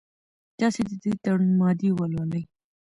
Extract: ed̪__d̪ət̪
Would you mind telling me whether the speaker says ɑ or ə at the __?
ə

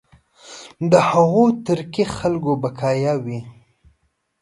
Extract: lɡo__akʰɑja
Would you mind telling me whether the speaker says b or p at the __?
b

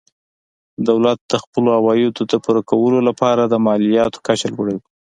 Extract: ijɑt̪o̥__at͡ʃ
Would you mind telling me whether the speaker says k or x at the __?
k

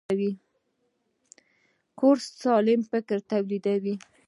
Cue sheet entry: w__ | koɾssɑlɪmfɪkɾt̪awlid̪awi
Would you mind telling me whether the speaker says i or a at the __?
i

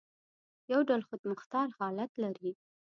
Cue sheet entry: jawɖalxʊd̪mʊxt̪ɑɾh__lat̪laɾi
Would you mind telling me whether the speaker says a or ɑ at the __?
ɑ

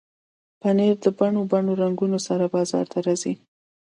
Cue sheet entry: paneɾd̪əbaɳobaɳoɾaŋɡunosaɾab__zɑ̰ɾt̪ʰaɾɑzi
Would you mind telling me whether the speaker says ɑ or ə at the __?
ɑ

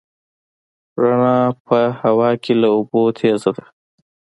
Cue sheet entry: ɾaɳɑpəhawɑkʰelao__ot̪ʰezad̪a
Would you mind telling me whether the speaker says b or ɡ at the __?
b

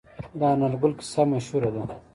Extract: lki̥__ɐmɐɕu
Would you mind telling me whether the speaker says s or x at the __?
s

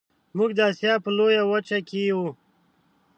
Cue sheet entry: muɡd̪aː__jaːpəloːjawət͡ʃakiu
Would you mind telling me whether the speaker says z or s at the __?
s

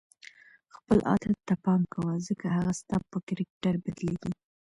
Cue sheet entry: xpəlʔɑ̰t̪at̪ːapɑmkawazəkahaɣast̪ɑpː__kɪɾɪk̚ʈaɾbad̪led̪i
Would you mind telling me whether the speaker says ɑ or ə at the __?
ə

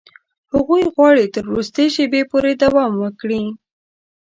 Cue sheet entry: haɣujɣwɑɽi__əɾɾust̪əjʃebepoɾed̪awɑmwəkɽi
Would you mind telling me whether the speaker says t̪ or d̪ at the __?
t̪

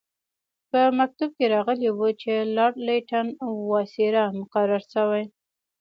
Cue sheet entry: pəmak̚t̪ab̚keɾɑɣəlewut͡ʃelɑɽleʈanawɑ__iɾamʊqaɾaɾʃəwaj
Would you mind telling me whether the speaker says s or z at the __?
s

